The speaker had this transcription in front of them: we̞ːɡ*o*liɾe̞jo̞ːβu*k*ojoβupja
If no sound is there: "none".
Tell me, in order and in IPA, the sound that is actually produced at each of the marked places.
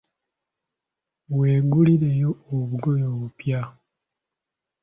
u, ɡ

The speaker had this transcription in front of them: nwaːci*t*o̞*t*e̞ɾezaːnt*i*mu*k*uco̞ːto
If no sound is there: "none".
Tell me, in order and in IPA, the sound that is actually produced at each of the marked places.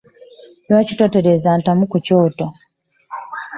t, t, a, k

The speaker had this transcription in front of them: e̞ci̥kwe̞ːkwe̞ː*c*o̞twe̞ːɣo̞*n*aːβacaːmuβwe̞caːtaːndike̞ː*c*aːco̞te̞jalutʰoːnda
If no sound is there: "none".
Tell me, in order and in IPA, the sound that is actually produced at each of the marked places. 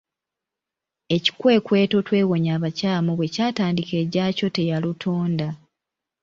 t, ɲ, ɟ

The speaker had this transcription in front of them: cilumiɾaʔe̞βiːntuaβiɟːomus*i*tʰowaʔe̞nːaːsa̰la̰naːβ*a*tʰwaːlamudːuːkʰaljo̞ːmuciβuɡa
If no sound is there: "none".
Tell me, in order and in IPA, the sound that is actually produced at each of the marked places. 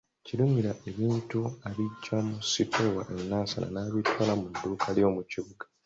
i, i

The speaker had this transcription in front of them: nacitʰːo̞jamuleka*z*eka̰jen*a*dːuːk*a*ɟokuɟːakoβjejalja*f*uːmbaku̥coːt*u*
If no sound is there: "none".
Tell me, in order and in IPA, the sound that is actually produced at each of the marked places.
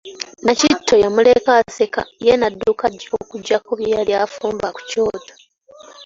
s, a, a, f, o

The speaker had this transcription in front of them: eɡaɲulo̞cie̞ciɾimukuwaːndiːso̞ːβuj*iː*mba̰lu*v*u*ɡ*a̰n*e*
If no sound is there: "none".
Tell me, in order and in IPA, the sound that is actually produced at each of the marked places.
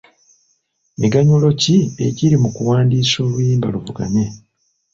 iː, v, ɡ, e

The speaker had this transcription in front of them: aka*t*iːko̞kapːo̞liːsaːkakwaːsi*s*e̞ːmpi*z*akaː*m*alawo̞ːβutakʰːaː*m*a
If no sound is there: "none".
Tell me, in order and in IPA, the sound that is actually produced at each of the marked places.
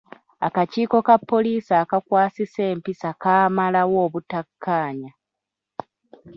c, s, s, m, ɲ

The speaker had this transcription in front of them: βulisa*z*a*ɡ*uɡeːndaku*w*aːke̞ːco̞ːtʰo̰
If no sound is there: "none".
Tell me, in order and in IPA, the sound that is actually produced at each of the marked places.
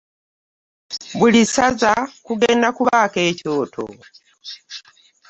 z, k, β

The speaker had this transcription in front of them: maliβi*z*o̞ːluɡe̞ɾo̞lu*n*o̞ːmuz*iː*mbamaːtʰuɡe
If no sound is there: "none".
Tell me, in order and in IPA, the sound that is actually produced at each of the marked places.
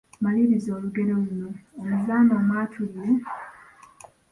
z, n, aː

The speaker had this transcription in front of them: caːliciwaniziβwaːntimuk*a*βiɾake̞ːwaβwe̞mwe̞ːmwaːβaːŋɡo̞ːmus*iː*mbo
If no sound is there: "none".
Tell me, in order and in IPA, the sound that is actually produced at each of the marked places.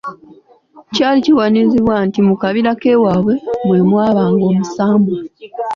a, aː

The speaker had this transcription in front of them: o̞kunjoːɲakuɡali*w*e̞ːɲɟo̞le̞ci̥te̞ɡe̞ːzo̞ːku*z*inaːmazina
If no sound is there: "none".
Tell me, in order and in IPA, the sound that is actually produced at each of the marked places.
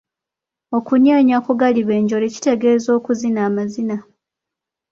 β, z

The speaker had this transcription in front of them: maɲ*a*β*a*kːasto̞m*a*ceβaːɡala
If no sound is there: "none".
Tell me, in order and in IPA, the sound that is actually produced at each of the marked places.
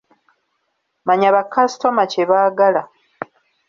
a, a, a

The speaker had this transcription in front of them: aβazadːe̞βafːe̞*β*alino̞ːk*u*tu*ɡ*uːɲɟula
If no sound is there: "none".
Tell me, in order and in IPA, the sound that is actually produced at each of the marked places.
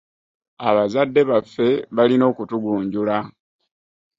β, u, ɡ

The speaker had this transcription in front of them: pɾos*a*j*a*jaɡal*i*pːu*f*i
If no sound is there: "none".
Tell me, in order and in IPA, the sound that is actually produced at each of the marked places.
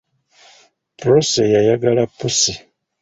e, a, a, s

